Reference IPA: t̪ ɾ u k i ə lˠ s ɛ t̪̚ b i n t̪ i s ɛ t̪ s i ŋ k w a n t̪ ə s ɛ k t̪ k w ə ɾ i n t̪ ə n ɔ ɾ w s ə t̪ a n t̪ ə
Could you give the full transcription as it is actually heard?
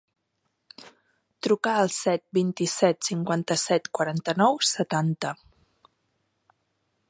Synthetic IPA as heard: t̪ ɾ u k a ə lˠ s ɛ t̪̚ b i n t̪ i s ɛ t̪ s i ŋ k w a n t̪ ə s ɛ t̪ k w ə ɾ a n t̪ ə n ɔ w s ə t̪ a n t̪ ə